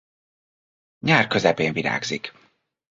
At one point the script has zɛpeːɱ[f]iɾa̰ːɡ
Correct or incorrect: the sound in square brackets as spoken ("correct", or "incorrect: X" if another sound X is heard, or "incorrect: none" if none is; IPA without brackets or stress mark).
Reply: incorrect: v